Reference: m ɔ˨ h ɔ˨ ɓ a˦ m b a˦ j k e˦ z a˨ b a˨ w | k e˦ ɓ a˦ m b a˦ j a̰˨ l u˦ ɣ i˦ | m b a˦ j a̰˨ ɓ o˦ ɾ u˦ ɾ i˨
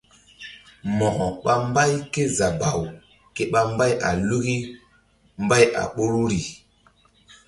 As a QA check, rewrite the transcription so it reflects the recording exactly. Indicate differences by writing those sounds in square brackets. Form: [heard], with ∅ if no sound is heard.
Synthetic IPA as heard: m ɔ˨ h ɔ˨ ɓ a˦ m b a˦ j k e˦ z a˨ b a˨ w | k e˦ ɓ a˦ m b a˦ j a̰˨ l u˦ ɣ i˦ | m b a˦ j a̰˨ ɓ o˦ ɾ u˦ ɾ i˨